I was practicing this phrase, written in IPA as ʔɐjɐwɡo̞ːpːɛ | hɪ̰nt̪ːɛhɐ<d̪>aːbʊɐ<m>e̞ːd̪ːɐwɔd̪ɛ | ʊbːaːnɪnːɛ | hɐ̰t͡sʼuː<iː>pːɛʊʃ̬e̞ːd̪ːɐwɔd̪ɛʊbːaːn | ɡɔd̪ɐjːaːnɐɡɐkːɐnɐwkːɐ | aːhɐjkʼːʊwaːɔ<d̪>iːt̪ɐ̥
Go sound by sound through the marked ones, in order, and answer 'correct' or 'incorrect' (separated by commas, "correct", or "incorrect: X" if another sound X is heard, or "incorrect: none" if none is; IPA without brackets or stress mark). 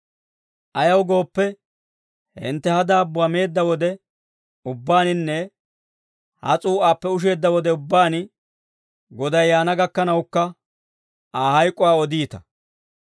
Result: correct, correct, incorrect: aː, correct